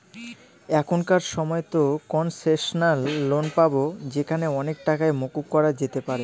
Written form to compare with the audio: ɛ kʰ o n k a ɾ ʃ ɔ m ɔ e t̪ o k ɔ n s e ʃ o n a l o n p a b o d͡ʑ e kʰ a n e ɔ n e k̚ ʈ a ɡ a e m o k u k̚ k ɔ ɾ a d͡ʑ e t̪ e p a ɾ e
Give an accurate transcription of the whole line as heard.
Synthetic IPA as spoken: ɛ kʰ o n k a ɾ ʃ ɔ m ɔ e t̪ o k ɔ n s e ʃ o n a lː o n p a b o d͡ʑ e kʰ a n e ɔ n e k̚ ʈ a k a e m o k u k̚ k ɔ ɾ a d͡ʑ e t̪ e p a ɾ e